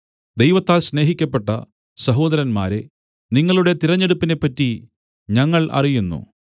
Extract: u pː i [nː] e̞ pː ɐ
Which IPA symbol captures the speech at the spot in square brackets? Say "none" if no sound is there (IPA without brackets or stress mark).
n